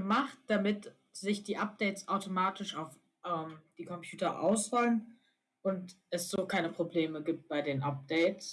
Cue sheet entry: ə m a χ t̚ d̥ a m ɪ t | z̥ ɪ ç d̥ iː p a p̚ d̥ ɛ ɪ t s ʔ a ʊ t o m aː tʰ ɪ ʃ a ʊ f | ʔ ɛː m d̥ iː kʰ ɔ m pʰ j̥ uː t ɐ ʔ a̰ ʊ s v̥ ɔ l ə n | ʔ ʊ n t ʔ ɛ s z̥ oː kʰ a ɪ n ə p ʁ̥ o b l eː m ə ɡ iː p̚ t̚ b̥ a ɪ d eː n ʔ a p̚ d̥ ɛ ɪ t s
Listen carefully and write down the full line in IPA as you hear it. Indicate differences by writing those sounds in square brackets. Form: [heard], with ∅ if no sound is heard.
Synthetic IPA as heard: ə m a χ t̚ d̥ a m ɪ t | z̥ ɪ ç d̥ iː [ʔ] a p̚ d̥ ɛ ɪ t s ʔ a ʊ t o m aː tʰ ɪ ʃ a ʊ f | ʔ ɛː m d̥ iː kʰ ɔ m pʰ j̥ uː t ɐ ʔ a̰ ʊ s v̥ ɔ l ə n | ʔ ʊ n t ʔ ɛ s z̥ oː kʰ a ɪ n ə p ʁ̥ o b l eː m ə ɡ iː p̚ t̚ b̥ a ɪ d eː n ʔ a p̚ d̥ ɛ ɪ t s